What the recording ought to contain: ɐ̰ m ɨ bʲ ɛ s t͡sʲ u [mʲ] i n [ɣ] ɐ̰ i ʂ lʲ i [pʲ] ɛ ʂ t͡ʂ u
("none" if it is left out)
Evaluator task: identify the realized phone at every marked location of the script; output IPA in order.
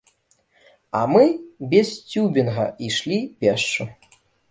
bʲ, ɣ, pʲ

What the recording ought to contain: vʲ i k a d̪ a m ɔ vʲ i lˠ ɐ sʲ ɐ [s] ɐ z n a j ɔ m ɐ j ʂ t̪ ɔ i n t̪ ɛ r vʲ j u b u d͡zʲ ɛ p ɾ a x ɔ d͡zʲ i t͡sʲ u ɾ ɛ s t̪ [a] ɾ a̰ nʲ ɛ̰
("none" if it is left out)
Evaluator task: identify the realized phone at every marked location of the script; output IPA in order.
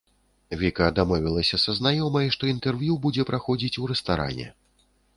s, a

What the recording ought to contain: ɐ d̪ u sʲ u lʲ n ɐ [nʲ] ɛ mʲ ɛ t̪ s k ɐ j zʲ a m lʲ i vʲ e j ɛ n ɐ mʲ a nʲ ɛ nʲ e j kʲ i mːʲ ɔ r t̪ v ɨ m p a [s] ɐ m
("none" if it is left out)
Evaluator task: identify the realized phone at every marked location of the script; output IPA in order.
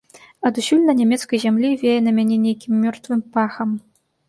nʲ, x

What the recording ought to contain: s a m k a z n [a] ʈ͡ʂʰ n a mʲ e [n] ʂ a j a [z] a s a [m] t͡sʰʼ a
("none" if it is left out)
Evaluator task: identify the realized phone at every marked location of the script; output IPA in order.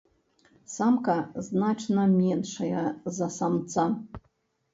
a, n, z, m

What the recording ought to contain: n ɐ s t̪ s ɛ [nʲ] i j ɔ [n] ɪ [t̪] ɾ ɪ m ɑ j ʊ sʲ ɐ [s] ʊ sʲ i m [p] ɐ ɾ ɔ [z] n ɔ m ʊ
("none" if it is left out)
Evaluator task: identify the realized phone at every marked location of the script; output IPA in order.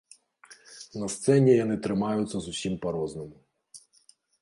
nʲ, n, t̪, z, p, z

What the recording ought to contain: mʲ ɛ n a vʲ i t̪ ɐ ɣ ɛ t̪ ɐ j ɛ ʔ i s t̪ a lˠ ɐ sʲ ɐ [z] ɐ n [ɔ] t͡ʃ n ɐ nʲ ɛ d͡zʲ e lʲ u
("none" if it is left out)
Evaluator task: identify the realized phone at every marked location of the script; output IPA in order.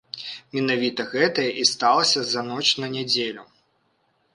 z, ɔ

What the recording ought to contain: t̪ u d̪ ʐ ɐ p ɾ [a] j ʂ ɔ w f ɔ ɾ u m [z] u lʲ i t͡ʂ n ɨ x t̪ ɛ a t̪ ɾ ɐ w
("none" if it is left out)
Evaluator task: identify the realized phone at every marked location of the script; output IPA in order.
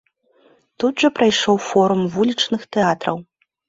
a, v

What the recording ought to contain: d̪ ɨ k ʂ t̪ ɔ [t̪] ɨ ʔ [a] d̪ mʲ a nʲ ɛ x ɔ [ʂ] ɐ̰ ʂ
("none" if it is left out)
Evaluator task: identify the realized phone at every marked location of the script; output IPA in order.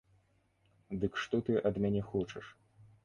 t̪, ɐ, t͡ʂ

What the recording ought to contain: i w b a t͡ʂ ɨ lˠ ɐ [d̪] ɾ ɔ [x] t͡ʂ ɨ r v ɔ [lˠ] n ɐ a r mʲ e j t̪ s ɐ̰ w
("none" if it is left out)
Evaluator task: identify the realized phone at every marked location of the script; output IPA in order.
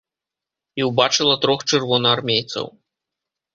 t̪, x, none

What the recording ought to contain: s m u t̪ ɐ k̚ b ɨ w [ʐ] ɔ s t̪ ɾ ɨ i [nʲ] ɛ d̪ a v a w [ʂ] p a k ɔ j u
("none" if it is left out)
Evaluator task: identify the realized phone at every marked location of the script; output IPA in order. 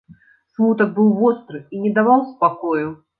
v, nʲ, s

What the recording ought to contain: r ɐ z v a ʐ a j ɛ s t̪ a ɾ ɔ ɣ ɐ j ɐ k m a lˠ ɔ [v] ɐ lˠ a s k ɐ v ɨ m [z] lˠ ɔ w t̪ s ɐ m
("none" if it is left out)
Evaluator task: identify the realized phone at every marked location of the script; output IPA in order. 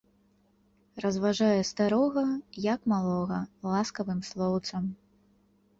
ɣ, s

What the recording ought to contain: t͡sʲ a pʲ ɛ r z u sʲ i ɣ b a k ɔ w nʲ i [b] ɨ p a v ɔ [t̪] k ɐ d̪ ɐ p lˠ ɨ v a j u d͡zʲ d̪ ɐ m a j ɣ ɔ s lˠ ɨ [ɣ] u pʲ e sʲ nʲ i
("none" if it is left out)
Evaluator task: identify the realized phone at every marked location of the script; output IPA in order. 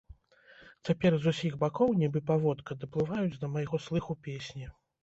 b, t̪, x

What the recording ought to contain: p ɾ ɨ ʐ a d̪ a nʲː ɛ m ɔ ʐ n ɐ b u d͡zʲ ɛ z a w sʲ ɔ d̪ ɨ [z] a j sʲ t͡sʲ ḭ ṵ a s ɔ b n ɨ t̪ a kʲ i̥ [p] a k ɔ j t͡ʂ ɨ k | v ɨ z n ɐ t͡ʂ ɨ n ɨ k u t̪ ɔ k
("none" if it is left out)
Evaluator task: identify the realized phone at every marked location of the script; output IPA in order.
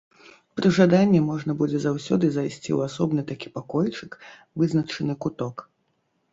z, p

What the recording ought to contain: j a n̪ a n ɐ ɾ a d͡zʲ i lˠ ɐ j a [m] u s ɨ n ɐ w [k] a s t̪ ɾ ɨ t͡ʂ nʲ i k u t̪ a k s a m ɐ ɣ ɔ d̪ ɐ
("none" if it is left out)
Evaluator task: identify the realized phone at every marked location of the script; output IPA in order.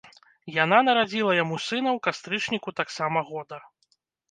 m, k

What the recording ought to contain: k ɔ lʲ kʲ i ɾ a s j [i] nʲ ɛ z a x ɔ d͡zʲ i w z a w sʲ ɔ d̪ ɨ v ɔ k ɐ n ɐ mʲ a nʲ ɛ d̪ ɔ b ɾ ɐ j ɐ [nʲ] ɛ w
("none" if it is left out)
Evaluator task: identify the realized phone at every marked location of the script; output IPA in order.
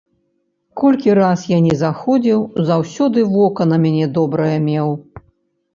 a, mʲ

